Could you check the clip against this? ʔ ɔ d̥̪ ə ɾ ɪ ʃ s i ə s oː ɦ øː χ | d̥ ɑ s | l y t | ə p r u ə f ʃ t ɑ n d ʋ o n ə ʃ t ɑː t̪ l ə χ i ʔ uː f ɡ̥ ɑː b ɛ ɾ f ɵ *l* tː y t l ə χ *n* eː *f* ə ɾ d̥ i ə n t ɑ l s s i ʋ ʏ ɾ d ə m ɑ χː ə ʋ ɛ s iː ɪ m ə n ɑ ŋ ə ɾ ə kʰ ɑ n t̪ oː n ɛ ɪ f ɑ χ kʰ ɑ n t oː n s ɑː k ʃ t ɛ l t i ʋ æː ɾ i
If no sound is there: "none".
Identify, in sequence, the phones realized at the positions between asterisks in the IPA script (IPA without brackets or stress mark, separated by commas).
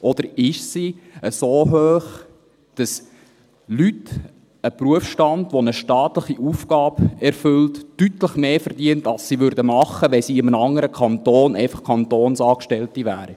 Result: l, m, f